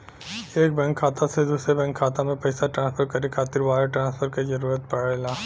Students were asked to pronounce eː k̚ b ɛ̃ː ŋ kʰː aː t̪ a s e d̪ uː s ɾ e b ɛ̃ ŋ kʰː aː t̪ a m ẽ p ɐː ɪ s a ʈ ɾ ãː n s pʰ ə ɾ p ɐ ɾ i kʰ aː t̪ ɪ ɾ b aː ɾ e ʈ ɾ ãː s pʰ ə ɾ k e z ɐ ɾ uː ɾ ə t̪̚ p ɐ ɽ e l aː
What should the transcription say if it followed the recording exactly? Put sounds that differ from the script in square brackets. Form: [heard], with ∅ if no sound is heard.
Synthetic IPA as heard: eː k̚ b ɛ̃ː ŋ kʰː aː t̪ a s e d̪ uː s ɾ e b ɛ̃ ŋ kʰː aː t̪ a m ẽ p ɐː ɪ s a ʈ ɾ ãː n s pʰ ə ɾ [k] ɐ ɾ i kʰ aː t̪ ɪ ɾ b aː ɾ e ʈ ɾ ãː s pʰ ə ɾ k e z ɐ ɾ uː ɾ ə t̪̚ p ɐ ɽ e l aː